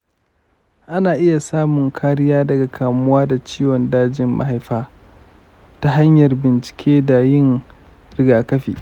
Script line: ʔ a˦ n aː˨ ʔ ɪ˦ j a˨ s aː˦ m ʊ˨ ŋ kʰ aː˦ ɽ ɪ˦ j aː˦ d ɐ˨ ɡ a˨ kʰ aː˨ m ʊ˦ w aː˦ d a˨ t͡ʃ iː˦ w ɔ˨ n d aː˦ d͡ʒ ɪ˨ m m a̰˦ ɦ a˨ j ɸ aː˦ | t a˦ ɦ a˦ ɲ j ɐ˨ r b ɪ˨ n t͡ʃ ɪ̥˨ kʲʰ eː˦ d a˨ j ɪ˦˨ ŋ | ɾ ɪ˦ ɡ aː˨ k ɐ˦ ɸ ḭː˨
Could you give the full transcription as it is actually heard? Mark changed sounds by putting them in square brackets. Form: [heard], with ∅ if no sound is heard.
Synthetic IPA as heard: ʔ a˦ n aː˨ ʔ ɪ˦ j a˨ s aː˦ m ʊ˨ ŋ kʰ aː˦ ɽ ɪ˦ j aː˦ d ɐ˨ ɡ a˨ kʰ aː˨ m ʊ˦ w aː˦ d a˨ t͡ʃ iː˦ w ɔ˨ n d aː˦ d͡ʒ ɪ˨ m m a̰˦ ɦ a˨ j ɸ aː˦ | t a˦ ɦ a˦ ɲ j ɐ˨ r b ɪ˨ n t͡ʃ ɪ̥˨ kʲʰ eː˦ d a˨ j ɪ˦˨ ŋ | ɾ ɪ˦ ɡ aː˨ k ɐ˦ ɸ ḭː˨